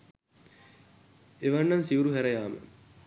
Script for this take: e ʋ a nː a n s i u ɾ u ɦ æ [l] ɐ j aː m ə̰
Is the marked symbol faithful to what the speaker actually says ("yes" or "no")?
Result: no